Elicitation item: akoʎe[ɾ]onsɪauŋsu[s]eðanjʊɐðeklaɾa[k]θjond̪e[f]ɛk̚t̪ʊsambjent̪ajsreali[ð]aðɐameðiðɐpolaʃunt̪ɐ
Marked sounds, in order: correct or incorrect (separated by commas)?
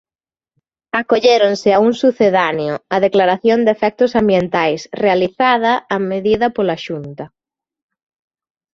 correct, incorrect, incorrect, correct, incorrect